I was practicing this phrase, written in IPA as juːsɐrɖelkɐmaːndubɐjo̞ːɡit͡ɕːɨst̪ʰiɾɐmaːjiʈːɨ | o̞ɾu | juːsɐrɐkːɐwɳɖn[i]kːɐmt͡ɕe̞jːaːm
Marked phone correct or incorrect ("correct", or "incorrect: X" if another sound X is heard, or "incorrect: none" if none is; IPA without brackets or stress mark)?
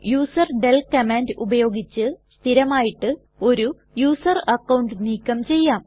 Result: incorrect: iː